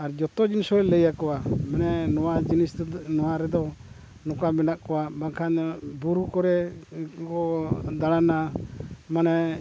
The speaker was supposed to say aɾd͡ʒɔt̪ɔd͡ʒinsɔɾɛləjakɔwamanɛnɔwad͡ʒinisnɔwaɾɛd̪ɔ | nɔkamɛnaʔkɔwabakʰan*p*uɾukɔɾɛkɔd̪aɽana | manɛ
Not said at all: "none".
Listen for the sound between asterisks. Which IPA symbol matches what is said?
b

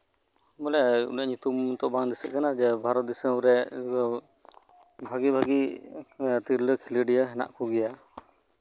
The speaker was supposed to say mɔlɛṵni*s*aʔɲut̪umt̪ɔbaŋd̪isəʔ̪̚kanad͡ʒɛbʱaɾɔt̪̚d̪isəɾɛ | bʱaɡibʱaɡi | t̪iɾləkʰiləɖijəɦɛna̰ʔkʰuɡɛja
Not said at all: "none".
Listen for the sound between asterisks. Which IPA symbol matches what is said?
none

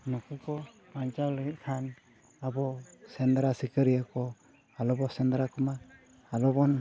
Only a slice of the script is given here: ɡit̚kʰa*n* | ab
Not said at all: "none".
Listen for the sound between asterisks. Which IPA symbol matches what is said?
n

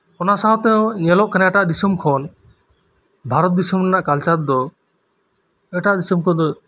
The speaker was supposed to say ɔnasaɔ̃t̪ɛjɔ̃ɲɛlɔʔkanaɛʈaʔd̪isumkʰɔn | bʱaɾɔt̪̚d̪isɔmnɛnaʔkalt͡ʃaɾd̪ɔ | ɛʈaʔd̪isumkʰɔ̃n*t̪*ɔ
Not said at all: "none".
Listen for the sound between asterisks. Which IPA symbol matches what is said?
d̪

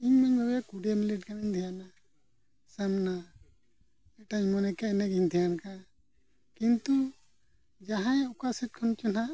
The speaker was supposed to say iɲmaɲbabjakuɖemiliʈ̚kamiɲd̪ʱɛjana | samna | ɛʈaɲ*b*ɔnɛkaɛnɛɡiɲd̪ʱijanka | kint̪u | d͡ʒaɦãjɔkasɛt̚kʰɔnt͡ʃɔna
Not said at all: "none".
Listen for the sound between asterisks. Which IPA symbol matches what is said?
m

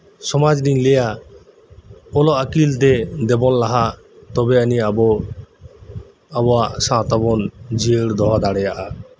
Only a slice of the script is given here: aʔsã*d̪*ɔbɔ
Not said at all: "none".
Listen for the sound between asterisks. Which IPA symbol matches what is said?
t̪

